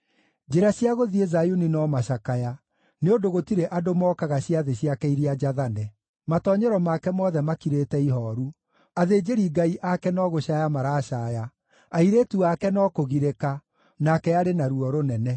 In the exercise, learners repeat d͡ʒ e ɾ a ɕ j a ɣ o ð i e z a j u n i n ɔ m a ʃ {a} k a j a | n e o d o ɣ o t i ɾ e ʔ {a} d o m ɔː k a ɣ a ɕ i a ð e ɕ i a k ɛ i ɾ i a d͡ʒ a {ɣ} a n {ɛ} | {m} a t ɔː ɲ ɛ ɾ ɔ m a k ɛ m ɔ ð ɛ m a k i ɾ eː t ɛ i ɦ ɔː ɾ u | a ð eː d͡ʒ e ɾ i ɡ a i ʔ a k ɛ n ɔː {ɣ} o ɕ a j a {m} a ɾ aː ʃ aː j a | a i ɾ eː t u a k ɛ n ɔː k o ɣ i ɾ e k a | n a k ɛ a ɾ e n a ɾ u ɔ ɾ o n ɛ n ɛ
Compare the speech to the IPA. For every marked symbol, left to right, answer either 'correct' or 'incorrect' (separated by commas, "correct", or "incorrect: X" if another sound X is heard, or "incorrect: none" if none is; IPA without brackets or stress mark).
correct, correct, incorrect: ð, correct, correct, correct, correct